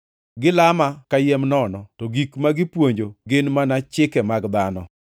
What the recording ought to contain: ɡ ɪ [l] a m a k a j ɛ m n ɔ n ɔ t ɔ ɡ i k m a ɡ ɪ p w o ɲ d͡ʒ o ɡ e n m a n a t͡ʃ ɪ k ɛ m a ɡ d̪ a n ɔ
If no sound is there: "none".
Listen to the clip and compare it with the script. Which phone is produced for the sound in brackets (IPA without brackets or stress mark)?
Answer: l